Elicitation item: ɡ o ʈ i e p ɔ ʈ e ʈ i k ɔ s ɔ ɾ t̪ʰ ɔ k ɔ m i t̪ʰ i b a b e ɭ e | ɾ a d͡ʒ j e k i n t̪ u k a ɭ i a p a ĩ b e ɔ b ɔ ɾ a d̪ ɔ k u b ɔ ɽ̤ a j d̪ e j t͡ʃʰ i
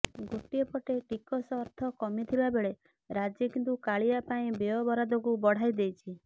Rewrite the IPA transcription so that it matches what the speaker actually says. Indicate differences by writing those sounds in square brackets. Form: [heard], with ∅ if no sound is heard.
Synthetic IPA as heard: ɡ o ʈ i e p ɔ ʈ e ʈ i k ɔ s ɔ ɾ t̪ʰ ɔ k ɔ m i t̪ʰ i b a b e ɭ e | ɾ a d͡ʒ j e k i n t̪ u k a ɭ i a p a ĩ b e ɔ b ɔ ɾ a d̪ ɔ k u b ɔ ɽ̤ a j d̪ e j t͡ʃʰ i